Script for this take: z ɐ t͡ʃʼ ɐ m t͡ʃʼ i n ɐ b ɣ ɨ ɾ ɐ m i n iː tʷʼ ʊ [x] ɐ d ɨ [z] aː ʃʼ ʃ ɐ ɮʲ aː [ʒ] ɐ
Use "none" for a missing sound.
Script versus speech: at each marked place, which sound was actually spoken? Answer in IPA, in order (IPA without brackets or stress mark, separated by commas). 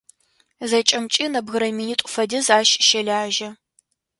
f, z, ʒ